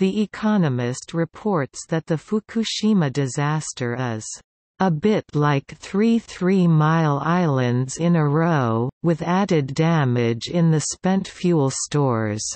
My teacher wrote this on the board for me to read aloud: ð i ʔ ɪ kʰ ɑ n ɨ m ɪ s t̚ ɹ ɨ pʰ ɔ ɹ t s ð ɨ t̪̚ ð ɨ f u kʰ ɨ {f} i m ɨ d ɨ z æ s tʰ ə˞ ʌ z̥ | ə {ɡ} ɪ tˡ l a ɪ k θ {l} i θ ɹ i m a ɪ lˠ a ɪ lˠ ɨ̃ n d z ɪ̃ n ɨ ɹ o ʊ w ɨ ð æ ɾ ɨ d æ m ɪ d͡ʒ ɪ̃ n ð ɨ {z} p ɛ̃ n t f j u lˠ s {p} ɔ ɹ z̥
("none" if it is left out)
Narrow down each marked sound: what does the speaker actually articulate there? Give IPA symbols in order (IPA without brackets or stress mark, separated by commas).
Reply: ʃ, b, ɹ, s, t